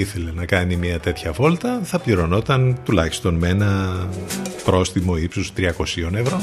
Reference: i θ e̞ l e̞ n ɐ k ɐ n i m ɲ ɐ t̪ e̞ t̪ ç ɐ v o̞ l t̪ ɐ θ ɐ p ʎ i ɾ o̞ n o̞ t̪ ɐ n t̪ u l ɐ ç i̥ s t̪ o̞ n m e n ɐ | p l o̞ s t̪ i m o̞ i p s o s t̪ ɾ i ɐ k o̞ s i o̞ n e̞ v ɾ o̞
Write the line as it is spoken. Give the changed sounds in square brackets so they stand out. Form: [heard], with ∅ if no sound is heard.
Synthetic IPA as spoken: i θ e̞ l e̞ n ɐ k ɐ n i m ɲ ɐ t̪ e̞ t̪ ç ɐ v o̞ l t̪ ɐ θ ɐ p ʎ i ɾ o̞ n o̞ t̪ ɐ n t̪ u l ɐ ç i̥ s t̪ o̞ n m e n ɐ | p [ɾ] o̞ s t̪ i m o̞ i p s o s t̪ ɾ i ɐ k o̞ s i o̞ n e̞ v ɾ o̞